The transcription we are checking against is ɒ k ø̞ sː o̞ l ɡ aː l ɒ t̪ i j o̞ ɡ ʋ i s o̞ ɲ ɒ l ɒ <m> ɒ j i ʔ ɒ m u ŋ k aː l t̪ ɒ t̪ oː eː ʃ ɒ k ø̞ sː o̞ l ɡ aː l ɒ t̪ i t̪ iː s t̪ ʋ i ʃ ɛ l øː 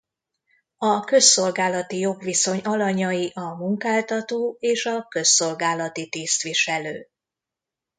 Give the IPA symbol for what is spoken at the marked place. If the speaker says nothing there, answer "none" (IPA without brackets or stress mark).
ɲ